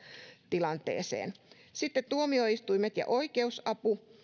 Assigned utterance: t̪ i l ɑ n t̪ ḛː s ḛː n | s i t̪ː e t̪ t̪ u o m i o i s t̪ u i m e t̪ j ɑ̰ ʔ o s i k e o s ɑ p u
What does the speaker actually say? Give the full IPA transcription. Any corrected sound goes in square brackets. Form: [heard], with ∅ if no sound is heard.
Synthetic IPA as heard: t̪ i l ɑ n t̪ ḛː s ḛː n | s i t̪ː e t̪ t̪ u o m i o i s t̪ u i m e t̪ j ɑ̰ ʔ o [∅] i k e [u] s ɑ p u